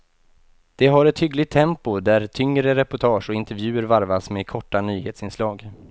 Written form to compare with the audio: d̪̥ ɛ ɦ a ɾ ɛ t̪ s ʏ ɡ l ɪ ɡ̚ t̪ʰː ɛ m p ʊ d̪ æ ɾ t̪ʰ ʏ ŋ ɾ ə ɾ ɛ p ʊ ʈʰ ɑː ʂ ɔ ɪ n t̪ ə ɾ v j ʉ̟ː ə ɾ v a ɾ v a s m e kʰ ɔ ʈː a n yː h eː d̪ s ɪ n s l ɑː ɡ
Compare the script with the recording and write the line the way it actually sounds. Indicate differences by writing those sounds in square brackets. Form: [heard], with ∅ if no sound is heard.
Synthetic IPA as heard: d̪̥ ɛ ɦ a ɾ ɛ t̪ [h] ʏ ɡ l ɪ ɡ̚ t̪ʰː ɛ m p ʊ d̪ æ ɾ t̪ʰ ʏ ŋ ɾ ə ɾ ɛ p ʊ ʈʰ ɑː ʂ ɔ ɪ n t̪ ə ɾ v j ʉ̟ː ə ɾ v a ɾ v a s m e kʰ ɔ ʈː a n yː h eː [t̪] s ɪ n s l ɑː ɡ